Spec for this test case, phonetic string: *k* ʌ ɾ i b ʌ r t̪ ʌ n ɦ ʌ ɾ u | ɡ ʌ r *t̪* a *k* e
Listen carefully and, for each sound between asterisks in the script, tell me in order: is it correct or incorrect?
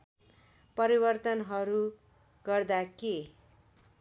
incorrect, incorrect, correct

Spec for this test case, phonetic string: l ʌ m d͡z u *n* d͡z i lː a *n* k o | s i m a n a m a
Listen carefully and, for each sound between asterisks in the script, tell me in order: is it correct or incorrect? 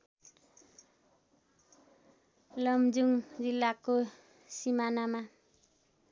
incorrect, incorrect

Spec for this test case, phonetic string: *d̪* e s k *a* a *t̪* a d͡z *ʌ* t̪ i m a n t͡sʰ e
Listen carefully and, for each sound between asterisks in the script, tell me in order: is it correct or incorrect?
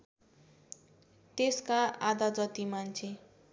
incorrect, correct, incorrect, correct

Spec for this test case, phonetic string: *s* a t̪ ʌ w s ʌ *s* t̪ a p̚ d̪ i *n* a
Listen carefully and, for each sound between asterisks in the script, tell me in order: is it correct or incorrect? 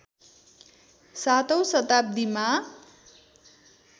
correct, incorrect, incorrect

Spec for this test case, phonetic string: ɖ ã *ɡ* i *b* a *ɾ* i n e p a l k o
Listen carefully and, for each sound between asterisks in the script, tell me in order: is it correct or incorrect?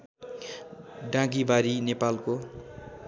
correct, correct, correct

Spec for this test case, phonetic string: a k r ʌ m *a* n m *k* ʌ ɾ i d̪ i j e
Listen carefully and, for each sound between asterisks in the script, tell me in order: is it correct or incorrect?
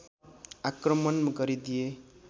incorrect, incorrect

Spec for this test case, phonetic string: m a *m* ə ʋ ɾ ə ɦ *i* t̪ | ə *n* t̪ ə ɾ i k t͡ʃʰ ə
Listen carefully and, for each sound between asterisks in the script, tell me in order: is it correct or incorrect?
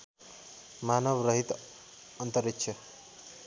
incorrect, correct, correct

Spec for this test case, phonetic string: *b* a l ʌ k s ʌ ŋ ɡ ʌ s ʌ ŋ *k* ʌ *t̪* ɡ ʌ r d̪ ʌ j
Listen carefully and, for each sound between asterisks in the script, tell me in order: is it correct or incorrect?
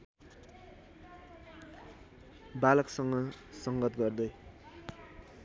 correct, incorrect, correct

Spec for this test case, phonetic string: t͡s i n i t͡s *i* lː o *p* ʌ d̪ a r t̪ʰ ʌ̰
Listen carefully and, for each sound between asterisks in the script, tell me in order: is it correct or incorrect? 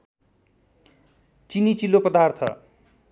correct, correct

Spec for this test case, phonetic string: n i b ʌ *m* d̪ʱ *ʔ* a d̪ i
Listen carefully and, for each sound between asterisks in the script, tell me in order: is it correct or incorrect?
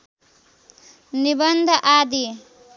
incorrect, correct

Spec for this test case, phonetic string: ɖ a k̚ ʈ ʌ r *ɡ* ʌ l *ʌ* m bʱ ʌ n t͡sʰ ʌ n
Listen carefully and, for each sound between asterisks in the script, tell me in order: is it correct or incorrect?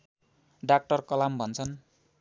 incorrect, incorrect

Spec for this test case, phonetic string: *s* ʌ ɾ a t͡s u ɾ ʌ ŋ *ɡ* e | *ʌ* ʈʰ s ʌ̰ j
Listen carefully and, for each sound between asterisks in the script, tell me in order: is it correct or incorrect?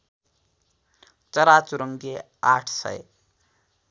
incorrect, correct, incorrect

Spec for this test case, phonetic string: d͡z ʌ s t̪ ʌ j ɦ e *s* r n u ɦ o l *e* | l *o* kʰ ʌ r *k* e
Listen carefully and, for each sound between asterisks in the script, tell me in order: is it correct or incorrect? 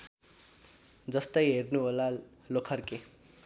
incorrect, incorrect, correct, correct

